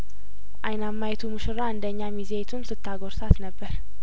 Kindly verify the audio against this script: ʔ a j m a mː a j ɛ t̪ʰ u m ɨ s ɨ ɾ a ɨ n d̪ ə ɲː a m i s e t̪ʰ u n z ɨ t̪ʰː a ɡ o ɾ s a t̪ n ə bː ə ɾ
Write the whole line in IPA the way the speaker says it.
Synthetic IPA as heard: ʔ a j n a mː a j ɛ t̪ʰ u m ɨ ʃ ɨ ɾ a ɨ n d̪ ə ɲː a m i z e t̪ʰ u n s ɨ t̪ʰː a ɡ o ɾ s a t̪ n ə bː ə ɾ